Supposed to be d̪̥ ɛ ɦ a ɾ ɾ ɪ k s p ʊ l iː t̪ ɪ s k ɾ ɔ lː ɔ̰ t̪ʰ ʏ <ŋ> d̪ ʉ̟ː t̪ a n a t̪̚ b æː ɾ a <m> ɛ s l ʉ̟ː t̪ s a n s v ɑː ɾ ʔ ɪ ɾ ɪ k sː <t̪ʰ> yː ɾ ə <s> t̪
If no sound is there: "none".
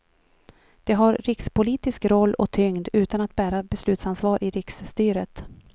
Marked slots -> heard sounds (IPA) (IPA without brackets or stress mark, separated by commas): ŋ, b, t̪, none